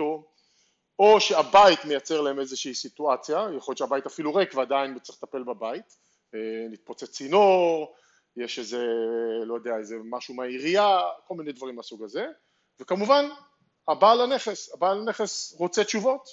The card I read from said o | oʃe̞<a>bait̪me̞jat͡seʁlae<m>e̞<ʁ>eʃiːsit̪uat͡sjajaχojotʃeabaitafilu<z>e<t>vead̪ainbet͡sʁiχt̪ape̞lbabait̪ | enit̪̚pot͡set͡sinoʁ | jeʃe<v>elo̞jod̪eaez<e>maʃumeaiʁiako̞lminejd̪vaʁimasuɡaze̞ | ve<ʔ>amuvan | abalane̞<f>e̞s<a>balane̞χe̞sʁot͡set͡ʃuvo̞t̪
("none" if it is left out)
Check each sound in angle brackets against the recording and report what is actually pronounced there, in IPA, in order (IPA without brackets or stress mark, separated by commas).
a, m, z, ʁ, k, z, e, k, χ, a